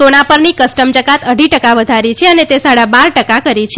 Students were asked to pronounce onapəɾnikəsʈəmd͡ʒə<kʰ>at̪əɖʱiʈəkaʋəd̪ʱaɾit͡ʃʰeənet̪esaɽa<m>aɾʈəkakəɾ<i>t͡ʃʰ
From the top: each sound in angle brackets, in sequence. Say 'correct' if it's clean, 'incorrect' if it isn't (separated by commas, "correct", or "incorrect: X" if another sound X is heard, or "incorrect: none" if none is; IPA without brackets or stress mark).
incorrect: k, incorrect: b, correct